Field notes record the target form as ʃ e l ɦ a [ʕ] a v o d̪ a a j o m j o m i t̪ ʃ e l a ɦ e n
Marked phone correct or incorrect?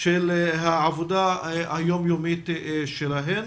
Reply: correct